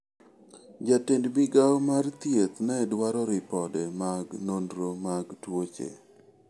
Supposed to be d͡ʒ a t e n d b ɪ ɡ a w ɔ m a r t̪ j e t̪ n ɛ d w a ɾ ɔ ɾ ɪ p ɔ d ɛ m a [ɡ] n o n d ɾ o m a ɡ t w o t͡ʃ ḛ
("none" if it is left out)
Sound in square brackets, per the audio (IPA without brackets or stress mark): ɡ